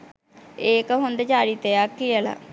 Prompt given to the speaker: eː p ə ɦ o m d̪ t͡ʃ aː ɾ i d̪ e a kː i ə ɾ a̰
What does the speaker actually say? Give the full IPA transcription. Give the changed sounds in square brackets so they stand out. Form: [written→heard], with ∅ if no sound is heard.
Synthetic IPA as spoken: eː [p→k] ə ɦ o [m→n] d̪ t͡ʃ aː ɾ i [d̪→t̪] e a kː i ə [ɾ→l] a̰